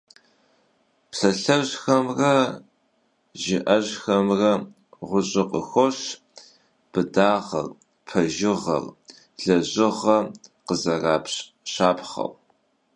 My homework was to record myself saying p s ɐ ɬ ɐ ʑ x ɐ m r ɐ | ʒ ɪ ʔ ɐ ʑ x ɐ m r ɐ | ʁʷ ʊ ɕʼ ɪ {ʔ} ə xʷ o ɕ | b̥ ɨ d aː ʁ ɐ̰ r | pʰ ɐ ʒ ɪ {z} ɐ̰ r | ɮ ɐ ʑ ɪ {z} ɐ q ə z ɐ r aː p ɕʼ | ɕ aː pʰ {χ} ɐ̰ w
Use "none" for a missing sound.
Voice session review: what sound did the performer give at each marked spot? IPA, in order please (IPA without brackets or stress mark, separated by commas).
q, ʁ, ʁ, χ